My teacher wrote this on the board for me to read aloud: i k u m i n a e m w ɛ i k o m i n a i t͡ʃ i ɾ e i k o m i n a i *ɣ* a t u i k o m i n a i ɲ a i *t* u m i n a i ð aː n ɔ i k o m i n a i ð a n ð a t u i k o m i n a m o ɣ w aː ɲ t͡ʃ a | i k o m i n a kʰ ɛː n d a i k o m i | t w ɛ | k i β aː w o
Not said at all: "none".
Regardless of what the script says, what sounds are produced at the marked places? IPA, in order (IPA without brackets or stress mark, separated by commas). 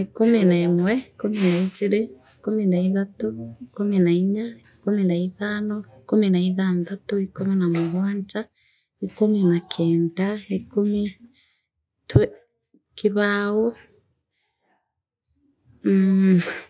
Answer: ð, k